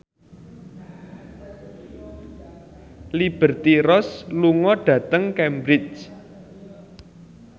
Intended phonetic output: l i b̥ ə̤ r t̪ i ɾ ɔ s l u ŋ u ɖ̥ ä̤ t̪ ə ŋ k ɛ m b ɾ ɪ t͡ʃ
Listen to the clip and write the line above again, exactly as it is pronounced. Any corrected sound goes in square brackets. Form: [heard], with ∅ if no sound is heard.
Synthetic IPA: l i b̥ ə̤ r t̪ i ɾ ɔ s l u ŋ [ɔ] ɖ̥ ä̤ t̪ ə ŋ k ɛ m b ɾ ɪ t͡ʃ